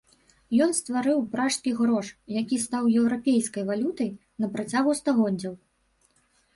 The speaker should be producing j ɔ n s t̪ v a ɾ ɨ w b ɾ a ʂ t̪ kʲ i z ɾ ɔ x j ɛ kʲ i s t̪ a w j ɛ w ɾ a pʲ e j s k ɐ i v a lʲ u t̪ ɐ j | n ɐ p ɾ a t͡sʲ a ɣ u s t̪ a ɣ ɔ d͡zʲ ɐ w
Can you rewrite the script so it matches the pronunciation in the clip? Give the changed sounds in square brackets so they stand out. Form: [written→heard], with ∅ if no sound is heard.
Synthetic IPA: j ɔ n s t̪ v a ɾ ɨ w [b→p] ɾ a ʂ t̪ kʲ i [z→ɣ] ɾ ɔ [x→ʂ] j [ɛ→a] kʲ i s t̪ a w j ɛ w ɾ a pʲ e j s k ɐ [i→j] v a lʲ u t̪ ɐ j | n ɐ p ɾ a t͡sʲ a ɣ u s t̪ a ɣ ɔ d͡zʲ ɐ w